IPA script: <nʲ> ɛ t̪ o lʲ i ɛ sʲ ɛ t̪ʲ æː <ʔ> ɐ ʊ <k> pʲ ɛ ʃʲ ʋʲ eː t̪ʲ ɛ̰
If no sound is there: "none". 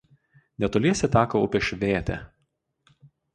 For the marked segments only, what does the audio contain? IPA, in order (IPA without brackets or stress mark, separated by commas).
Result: nʲ, k, none